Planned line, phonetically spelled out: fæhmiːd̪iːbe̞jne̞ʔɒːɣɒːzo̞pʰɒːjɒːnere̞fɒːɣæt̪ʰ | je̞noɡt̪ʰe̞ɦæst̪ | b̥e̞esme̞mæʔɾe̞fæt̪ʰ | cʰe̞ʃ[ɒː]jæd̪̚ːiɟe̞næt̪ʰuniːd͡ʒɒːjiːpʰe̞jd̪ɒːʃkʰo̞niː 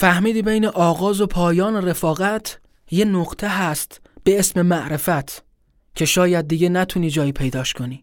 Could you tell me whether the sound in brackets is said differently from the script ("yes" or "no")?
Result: no